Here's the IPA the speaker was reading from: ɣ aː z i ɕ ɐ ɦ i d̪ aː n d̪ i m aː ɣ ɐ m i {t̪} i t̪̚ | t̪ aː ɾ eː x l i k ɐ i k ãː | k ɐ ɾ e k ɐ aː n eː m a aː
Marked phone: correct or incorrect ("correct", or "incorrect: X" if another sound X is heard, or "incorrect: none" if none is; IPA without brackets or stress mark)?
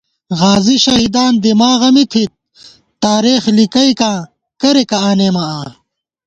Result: incorrect: t̪ʰ